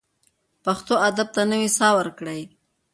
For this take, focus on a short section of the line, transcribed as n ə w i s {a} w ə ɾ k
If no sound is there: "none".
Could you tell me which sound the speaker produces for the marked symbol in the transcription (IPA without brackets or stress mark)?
ɑ